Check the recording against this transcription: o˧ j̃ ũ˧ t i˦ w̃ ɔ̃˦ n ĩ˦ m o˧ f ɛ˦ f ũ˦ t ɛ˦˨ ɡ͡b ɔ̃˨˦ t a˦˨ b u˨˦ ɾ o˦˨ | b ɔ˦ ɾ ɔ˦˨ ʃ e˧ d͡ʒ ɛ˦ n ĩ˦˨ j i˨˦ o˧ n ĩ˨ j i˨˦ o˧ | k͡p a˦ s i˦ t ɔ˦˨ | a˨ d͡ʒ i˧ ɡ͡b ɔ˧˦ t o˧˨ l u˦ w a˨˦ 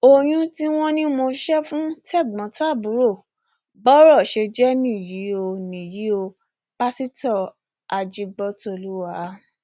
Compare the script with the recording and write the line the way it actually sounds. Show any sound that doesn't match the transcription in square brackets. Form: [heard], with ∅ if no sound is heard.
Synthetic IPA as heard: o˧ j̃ ũ˧ t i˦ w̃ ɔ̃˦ n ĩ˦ m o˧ [ʃ] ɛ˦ f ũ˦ t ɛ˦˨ ɡ͡b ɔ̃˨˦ t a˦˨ b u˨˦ ɾ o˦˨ | b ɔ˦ ɾ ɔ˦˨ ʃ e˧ d͡ʒ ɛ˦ n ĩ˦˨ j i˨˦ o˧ n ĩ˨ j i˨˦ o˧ | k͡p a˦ s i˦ t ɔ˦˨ | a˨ d͡ʒ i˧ ɡ͡b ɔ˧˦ t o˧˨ l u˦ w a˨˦